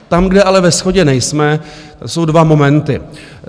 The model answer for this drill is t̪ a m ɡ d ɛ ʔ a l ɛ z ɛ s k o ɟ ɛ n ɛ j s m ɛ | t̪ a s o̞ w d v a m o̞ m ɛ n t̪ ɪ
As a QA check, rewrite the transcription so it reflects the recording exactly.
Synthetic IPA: t̪ a m ɡ d ɛ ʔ a l ɛ v ɛ s x o ɟ ɛ n ɛ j s m ɛ | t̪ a s o̞ w d v a m o̞ m ɛ n t̪ ɪ